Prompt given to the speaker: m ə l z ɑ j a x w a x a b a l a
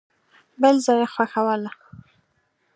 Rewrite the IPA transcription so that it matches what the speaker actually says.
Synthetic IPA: b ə l z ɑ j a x w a x a w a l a